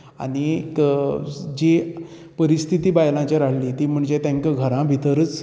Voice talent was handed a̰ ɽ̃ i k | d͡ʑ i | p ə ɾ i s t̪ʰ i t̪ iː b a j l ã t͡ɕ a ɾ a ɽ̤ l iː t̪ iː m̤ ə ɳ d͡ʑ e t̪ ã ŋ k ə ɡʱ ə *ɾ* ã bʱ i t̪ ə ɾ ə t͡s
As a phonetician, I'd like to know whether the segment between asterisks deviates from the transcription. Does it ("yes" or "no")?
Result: no